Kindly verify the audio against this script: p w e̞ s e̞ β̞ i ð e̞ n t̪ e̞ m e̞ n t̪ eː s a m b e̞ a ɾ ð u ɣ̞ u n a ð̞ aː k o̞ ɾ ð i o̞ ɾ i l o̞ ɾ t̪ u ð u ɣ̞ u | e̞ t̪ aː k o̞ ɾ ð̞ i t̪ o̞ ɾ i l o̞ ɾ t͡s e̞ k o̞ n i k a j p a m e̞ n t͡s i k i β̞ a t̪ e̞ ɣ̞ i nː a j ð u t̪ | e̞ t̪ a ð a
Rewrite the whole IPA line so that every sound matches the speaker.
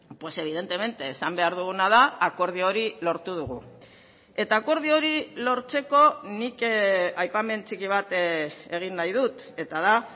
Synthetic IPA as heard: p w e̞ s e̞ β̞ i ð e̞ n t̪ e̞ m e̞ n t̪ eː s a m b e̞ a ɾ ð u ɣ̞ u n a ð̞ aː k o̞ ɾ ð i o̞ ɾ i l o̞ ɾ t̪ u ð u ɣ̞ u | e̞ t̪ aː k o̞ ɾ ð̞ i o̞ ɾ i l o̞ ɾ t͡s e̞ k o̞ n i k a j p a m e̞ n t͡s i k i β̞ a t̪ e̞ ɣ̞ i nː a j ð u t̪ | e̞ t̪ a ð a